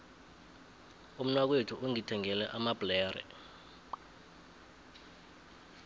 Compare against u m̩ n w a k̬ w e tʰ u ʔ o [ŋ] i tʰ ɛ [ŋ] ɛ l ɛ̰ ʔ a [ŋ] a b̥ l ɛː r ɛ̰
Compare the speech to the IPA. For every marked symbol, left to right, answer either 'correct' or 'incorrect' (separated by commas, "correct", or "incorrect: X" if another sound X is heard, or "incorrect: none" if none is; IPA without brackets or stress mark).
correct, correct, incorrect: m